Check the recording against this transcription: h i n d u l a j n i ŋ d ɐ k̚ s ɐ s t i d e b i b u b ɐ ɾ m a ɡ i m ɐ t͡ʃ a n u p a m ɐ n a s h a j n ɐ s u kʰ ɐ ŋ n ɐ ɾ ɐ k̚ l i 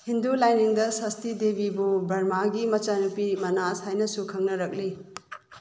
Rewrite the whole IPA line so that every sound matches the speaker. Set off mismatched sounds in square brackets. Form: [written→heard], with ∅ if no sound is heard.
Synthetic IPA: h i n d u l a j n i ŋ d ɐ [k̚→∅] s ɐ s t i d e b i b u b ɐ ɾ m a ɡ i m ɐ t͡ʃ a n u p [a→i] m ɐ n a s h a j n ɐ s u kʰ ɐ ŋ n ɐ ɾ ɐ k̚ l i